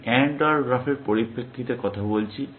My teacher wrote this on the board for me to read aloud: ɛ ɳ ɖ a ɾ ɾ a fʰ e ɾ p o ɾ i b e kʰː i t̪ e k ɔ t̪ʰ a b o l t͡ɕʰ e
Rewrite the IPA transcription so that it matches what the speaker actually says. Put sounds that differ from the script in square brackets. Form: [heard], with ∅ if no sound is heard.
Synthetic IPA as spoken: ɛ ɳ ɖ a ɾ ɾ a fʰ e ɾ p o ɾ i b e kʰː i t̪ e k ɔ t̪ʰ a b o l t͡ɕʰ [i]